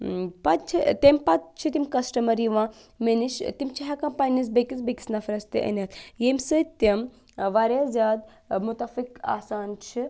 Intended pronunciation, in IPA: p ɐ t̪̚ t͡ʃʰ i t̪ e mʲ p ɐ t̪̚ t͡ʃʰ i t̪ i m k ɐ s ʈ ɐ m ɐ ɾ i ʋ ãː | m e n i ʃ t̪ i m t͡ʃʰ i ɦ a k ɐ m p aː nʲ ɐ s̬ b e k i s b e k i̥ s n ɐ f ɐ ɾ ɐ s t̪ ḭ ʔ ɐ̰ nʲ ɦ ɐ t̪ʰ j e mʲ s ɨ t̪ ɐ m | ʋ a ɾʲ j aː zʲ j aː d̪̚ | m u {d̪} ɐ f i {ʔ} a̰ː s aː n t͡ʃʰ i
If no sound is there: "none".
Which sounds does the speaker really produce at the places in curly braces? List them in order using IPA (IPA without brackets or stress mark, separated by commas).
t̪, k